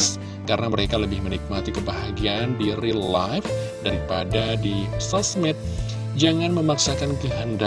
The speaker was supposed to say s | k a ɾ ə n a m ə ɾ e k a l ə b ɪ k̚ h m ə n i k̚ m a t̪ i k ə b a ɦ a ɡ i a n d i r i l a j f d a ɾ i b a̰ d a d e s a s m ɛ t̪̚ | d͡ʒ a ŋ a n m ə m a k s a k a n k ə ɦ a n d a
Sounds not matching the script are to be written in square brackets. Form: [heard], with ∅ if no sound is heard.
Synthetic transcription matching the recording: s | k a ɾ ə n a m ə ɾ e k a l ə b ɪ [∅] h m ə n i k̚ m a t̪ i k ə b a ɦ a ɡ i a n d i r i l a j f d a ɾ i [p] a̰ d a d [i] s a s m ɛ t̪̚ | d͡ʒ a ŋ a n m ə m a k s a k a n k ə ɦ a n d a